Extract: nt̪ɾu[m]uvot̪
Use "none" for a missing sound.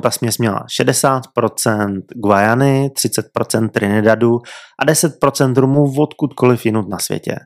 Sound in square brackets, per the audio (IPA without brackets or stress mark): m